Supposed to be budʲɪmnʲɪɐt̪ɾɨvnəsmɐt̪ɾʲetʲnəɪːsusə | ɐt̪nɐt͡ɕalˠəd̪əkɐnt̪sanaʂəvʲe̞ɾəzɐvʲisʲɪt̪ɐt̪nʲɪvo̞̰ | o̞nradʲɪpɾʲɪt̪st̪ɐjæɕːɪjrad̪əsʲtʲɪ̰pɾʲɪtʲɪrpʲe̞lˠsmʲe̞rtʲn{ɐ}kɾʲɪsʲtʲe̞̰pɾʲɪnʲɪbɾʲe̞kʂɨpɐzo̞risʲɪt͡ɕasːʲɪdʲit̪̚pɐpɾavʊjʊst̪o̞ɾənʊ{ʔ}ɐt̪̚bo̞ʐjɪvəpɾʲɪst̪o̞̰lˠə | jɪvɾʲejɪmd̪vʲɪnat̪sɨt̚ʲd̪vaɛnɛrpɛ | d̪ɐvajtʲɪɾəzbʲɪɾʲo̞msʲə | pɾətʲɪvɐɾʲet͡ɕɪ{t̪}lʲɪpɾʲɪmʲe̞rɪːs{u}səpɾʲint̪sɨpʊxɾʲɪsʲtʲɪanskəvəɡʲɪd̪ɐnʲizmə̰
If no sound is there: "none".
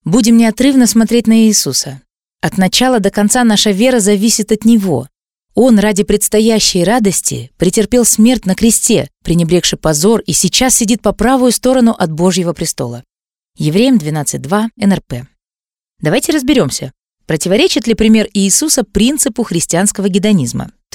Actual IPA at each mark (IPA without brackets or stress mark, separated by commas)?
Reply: ə, ʔ, t̪, u